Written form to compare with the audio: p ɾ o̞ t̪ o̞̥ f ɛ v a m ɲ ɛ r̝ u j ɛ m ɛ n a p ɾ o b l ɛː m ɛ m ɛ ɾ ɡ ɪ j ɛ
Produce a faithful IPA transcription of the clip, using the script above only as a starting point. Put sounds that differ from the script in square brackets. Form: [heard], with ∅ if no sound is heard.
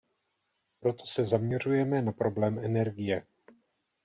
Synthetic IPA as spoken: p ɾ o̞ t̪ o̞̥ [s] ɛ [z] a m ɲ ɛ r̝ u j ɛ m ɛ n a p ɾ o b l ɛː m ɛ [n] ɛ ɾ ɡ ɪ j ɛ